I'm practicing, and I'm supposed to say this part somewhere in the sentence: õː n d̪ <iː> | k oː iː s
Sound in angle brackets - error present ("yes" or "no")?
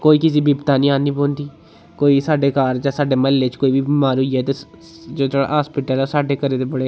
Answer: no